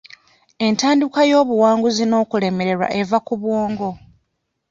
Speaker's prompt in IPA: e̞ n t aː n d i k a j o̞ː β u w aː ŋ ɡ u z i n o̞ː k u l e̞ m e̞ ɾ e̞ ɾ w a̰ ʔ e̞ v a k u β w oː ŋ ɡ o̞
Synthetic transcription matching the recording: e̞ n t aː n d i k a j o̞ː β u w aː ŋ ɡ u z i n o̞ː k u l e̞ m e̞ ɾ e̞ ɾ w a̰ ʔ e̞ v a k u β w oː ŋ ɡ o̞